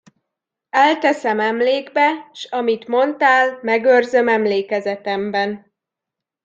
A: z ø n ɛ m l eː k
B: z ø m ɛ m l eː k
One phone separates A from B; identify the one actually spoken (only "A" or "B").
B